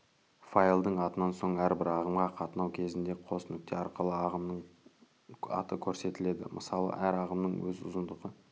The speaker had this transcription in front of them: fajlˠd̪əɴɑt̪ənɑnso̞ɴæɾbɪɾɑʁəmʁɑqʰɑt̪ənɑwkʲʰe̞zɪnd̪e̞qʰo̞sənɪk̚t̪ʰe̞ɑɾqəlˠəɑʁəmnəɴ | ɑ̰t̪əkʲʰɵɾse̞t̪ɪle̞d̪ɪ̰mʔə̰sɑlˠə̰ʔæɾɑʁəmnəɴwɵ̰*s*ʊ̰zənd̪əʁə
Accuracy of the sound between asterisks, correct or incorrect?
incorrect: z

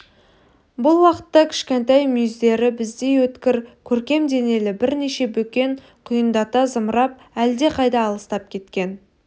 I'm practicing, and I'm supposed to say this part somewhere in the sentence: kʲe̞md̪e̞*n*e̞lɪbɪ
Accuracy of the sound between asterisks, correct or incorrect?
correct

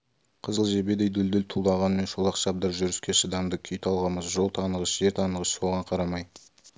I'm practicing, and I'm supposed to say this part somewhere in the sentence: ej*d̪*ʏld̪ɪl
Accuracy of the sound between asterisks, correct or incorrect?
correct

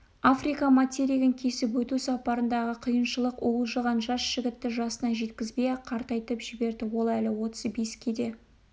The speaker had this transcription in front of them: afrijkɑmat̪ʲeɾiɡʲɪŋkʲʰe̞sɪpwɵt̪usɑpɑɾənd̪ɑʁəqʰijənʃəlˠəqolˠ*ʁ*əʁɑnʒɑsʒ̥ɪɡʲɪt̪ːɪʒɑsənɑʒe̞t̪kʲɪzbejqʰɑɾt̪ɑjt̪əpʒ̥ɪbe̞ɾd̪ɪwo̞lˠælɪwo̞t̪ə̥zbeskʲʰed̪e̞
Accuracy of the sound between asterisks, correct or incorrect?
incorrect: ʒ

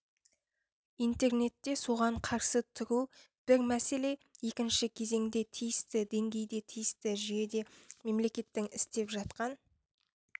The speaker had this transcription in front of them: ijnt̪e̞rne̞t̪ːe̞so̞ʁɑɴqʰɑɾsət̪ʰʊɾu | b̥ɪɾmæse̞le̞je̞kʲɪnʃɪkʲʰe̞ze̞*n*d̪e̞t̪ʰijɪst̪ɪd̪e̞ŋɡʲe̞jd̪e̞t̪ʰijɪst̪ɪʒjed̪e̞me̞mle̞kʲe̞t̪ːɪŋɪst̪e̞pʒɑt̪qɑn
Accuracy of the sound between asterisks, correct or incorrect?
incorrect: ŋ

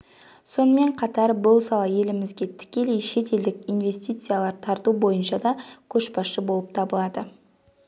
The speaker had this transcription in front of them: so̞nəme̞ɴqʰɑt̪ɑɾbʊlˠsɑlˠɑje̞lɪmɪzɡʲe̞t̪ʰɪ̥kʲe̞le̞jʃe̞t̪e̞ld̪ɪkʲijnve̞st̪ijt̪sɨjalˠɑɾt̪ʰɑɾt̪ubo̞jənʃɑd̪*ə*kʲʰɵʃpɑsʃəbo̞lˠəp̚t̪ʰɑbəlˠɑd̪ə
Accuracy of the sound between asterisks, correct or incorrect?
incorrect: ɑ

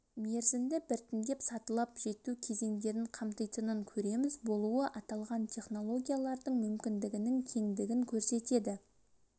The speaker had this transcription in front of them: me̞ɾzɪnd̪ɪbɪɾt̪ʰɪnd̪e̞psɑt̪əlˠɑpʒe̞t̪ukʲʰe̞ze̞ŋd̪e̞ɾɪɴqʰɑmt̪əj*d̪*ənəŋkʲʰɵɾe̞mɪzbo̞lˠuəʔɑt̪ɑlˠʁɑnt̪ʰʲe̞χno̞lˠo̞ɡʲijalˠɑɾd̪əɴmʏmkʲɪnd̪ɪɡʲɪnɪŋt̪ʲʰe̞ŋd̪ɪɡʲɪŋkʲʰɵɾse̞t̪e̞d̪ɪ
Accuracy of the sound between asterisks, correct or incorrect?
incorrect: t̪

